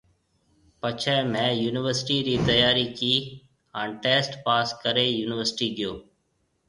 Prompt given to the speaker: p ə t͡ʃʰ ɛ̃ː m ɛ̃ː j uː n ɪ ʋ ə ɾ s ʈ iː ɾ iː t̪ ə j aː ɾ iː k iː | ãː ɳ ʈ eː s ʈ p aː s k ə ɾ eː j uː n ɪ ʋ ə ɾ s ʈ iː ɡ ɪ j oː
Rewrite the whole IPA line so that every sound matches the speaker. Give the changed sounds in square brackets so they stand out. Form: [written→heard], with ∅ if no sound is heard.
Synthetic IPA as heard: p ə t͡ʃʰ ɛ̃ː m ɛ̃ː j uː n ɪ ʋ ə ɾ s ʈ iː ɾ iː t̪ ə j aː ɾ iː k iː | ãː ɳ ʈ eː s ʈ p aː s k ə ɾ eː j uː n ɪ ʋ ə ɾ s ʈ iː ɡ ɪ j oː